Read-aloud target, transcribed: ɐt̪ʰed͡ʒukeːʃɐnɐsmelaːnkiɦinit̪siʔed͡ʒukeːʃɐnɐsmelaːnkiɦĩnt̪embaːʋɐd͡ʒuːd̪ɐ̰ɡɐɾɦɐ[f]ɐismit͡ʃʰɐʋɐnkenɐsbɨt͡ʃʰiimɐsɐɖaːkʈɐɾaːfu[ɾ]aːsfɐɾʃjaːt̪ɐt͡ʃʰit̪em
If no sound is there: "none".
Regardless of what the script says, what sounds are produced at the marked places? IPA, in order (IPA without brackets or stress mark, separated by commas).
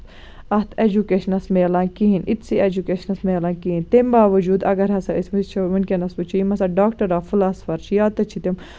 s, l